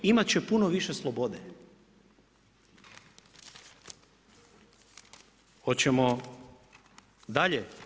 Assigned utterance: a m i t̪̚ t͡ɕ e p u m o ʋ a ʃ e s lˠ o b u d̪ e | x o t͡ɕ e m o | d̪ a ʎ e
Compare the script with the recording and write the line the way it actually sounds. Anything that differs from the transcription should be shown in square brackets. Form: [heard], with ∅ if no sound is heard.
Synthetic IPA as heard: [i] m [a] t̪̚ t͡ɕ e p u [n] o ʋ [i] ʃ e s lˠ o b [o] d̪ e | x o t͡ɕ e m o | d̪ a ʎ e

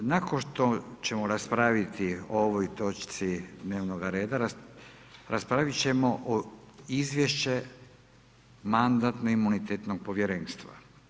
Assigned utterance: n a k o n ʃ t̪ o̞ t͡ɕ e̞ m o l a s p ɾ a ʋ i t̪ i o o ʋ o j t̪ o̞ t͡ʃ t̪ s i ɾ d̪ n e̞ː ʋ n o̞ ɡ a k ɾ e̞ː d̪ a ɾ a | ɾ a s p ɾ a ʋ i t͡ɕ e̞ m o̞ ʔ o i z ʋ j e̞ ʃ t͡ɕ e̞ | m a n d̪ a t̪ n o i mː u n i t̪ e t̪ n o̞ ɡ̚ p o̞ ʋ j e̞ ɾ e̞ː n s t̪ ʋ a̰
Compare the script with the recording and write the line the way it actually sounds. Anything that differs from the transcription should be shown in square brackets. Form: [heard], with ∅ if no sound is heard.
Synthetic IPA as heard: n a k o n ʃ t̪ o̞ t͡ɕ e̞ m o [ɾ] a s p ɾ a ʋ i t̪ i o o ʋ o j t̪ o̞ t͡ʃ t̪ s i [∅] d̪ n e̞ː ʋ n o̞ ɡ a [∅] ɾ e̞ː d̪ a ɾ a | ɾ a s p ɾ a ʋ i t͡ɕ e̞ m o̞ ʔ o i z ʋ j e̞ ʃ t͡ɕ e̞ | m a n d̪ a t̪ n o i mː u n i t̪ e t̪ n o̞ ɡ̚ p o̞ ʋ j e̞ ɾ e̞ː n s t̪ ʋ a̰

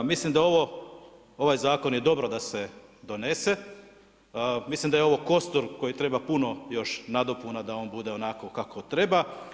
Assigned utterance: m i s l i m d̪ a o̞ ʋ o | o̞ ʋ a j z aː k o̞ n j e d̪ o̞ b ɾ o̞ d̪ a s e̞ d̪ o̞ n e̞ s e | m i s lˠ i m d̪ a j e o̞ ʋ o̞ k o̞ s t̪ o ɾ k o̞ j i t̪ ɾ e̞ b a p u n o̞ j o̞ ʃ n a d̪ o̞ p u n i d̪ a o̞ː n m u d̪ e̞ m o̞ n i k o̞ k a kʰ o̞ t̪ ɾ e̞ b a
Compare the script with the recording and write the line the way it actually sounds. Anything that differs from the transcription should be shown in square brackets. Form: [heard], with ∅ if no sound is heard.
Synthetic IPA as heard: m i s l i m d̪ a o̞ ʋ o | o̞ ʋ a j z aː k o̞ n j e d̪ o̞ b ɾ o̞ d̪ a s e̞ d̪ o̞ n e̞ s e | m i s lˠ i m d̪ a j e o̞ ʋ o̞ k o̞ s t̪ o ɾ k o̞ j i t̪ ɾ e̞ b a p u n o̞ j o̞ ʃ n a d̪ o̞ p u n [a] d̪ a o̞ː n [b] u d̪ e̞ [∅] o̞ n [a] k o̞ k a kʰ o̞ t̪ ɾ e̞ b a

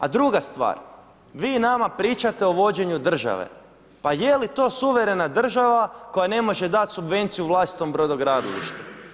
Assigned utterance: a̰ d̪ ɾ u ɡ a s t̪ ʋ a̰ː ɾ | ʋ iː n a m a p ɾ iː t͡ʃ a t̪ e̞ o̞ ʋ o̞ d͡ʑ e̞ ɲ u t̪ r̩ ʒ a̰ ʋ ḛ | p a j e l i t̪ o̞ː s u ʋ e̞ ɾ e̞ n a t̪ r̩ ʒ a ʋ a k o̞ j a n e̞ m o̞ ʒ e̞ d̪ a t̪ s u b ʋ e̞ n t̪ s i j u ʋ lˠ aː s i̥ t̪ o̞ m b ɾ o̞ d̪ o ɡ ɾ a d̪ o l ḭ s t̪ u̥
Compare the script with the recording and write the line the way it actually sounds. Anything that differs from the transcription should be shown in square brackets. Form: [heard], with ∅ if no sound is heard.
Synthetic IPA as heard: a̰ d̪ ɾ u ɡ a s t̪ ʋ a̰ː ɾ | ʋ iː n a m a p ɾ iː t͡ʃ a t̪ e̞ o̞ ʋ o̞ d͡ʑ e̞ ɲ u [d̪] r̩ ʒ a̰ ʋ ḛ | p a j e l i t̪ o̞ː s u ʋ e̞ ɾ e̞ n a [d̪] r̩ ʒ a ʋ a k o̞ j a n e̞ m o̞ ʒ e̞ d̪ a t̪ s u b ʋ e̞ n t̪ s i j u ʋ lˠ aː s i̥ t̪ o̞ m b ɾ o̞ d̪ o ɡ ɾ a d̪ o l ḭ [ʃ] t̪ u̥

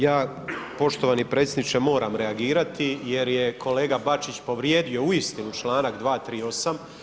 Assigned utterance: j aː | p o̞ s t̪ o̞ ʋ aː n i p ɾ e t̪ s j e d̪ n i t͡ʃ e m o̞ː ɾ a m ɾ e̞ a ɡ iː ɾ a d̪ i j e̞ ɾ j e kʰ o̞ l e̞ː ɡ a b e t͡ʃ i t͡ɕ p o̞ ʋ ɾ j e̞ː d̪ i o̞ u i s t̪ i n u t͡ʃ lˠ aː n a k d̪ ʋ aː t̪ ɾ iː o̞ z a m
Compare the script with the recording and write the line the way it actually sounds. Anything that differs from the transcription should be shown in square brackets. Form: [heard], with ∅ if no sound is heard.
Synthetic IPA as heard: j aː | p o̞ [ʃ] t̪ o̞ ʋ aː n i p ɾ e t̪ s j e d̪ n i t͡ʃ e m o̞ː ɾ a m ɾ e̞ a ɡ iː ɾ a [t̪] i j e̞ ɾ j e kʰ o̞ l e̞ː ɡ a b [a] t͡ʃ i t͡ɕ p o̞ ʋ ɾ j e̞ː d̪ i o̞ u i s t̪ i n u t͡ʃ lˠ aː n a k d̪ ʋ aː t̪ ɾ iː o̞ [s] a m

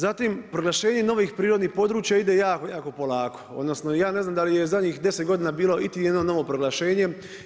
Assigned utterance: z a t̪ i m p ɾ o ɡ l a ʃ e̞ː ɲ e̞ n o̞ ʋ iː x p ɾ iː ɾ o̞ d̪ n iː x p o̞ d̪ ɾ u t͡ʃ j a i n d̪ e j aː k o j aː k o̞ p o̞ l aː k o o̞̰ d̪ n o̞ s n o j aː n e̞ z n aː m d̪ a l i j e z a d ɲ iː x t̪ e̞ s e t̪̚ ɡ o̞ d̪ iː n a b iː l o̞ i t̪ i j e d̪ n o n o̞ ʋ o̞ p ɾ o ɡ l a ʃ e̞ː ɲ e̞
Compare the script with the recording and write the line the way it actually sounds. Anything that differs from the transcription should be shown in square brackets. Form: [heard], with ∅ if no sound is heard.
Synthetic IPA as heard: z a t̪ i m p ɾ o ɡ l a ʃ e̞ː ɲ e̞ n o̞ ʋ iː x p ɾ iː ɾ o̞ d̪ n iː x p o̞ d̪ ɾ [uː] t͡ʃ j a i [∅] d̪ e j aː k o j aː k o̞ p o̞ l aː k o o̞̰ d̪ n o̞ s n o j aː n e̞ z n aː m d̪ a l i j e z a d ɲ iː x [d̪] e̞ s e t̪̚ ɡ o̞ d̪ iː n a b iː l o̞ i t̪ i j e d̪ n o n o̞ ʋ o̞ p ɾ o ɡ l a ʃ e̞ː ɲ e̞

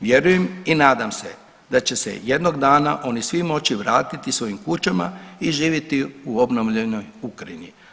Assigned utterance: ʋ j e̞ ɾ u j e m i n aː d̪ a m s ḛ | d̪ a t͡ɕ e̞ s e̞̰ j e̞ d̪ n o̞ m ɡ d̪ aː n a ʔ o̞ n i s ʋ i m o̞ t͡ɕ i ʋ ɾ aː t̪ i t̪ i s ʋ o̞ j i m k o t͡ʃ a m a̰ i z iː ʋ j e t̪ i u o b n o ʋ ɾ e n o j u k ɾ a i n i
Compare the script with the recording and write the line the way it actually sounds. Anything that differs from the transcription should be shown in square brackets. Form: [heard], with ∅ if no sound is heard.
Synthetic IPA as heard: ʋ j e̞ ɾ u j e m i n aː d̪ a m s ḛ | d̪ a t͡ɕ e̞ s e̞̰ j e̞ d̪ n o̞ [∅] ɡ d̪ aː n a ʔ o̞ n i s ʋ i m o̞ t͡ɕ i ʋ ɾ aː t̪ i t̪ i s ʋ o̞ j i m k [u] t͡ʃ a m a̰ i [ʒ] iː ʋ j e t̪ i u o b n o ʋ [ʎ] e n o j u k ɾ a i n i

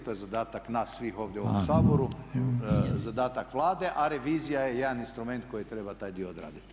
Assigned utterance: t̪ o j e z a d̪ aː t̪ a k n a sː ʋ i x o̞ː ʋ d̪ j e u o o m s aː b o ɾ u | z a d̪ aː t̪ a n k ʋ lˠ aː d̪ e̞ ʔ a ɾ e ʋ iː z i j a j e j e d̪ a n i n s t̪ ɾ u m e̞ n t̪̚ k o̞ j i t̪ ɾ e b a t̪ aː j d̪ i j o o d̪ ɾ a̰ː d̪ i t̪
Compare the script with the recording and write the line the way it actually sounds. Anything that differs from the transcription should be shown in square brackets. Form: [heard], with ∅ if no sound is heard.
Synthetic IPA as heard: t̪ o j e z a d̪ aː t̪ a k n a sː ʋ i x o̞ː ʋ d̪ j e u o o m s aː b o ɾ u | z a d̪ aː t̪ a [∅] k ʋ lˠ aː d̪ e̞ ʔ a ɾ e ʋ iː z i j a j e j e d̪ a n i n s t̪ ɾ u m e̞ n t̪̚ k o̞ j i t̪ ɾ e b a t̪ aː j d̪ i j o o d̪ ɾ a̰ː d̪ i t̪

